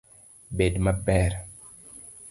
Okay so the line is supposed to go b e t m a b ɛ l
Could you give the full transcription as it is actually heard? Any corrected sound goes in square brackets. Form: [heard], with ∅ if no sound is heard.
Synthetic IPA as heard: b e [d] m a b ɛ [ɾ]